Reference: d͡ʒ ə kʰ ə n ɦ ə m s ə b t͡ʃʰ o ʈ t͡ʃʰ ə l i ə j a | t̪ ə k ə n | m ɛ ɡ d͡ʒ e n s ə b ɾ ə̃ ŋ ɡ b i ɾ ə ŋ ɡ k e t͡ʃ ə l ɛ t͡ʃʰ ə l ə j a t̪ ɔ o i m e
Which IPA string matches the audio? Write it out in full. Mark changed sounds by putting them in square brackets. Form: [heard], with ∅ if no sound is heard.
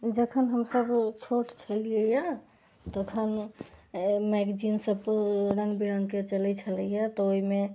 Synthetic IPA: d͡ʒ ə kʰ ə n ɦ ə m s ə b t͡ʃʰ o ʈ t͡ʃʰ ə l i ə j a | t̪ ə [kʰ] ə n | m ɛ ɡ d͡ʒ [i] n s ə b ɾ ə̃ ŋ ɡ b i ɾ ə ŋ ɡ k e t͡ʃ ə l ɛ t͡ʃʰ ə l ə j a t̪ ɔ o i m e